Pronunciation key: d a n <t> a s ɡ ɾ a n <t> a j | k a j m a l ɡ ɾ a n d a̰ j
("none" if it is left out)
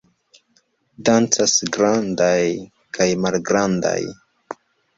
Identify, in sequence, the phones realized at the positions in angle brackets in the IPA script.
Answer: t͡s, d

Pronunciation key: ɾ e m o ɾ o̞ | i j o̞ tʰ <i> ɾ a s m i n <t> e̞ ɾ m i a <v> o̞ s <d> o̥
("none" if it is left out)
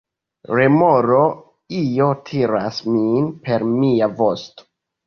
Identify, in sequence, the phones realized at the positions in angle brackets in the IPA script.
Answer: i, p, v, t

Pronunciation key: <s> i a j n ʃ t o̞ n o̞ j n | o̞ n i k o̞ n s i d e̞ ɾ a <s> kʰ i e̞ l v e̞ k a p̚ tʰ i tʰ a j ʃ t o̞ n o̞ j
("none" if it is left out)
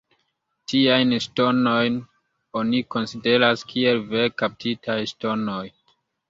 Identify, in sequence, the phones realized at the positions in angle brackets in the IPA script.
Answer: t, s

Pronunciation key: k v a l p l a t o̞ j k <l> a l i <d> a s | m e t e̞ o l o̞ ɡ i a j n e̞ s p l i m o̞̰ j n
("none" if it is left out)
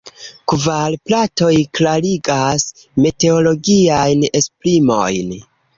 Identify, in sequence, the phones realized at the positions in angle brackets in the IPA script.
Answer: l, ɡ

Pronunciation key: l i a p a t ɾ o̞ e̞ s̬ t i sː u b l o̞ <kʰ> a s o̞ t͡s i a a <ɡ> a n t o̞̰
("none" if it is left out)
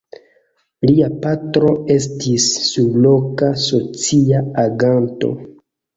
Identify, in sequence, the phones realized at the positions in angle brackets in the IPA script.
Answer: k, ɡ

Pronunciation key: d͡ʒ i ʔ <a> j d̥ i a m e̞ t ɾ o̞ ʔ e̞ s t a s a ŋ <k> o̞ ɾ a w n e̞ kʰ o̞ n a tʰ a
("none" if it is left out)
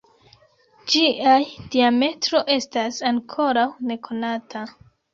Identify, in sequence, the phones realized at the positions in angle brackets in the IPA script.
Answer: a, kʰ

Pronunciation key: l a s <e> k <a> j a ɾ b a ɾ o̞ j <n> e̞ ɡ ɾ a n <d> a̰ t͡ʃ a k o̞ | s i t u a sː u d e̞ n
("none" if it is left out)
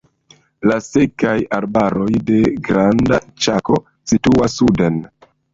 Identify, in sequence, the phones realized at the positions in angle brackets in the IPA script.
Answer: e, a, d, d

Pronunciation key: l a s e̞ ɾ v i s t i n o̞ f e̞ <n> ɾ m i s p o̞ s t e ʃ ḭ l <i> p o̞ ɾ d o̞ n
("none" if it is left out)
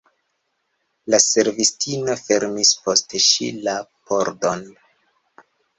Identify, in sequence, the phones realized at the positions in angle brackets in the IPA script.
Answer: none, a

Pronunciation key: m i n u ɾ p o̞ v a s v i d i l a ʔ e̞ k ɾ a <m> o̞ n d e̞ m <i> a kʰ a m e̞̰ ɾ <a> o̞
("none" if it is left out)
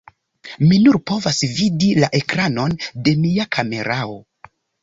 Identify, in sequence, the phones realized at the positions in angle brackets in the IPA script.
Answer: n, i, a

